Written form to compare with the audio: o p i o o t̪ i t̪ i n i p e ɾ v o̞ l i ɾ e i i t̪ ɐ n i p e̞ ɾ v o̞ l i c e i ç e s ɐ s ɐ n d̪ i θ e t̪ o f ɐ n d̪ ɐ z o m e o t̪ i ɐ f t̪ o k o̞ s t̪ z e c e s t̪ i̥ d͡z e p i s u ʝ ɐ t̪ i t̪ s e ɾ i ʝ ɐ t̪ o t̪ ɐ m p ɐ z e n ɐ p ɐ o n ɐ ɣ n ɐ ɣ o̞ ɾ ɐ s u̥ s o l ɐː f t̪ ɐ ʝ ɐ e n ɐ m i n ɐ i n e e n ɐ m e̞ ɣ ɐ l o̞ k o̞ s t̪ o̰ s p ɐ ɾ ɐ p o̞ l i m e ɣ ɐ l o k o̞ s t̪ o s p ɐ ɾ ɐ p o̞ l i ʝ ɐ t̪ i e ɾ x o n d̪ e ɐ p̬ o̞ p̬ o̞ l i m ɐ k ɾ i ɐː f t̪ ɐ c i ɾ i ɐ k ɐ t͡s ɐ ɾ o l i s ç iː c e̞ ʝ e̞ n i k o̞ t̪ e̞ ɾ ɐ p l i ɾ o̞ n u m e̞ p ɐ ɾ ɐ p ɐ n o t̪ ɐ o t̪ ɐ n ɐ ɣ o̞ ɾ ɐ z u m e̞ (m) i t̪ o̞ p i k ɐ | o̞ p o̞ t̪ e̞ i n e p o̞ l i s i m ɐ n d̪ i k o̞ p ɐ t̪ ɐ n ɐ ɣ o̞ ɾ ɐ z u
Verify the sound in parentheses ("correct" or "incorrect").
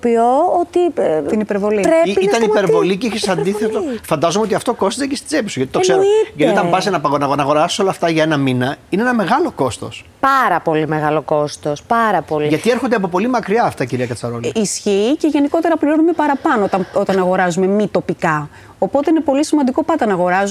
correct